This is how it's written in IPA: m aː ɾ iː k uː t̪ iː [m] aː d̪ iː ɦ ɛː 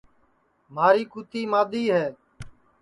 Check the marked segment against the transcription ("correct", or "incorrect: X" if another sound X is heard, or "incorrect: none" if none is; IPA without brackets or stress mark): correct